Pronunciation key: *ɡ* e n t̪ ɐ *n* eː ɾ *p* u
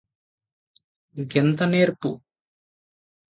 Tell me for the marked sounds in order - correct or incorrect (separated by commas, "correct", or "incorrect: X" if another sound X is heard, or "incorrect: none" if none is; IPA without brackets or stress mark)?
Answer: correct, correct, correct